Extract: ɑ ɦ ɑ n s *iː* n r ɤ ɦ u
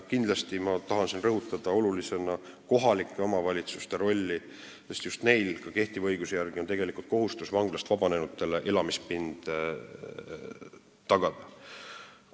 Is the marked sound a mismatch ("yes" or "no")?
yes